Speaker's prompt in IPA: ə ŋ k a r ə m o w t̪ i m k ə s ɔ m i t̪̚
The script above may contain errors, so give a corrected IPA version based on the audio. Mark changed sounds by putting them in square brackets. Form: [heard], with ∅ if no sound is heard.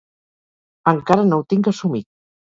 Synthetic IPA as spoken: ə ŋ k a [ɾ] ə [n] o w t̪ i [ŋ] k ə s [u] m i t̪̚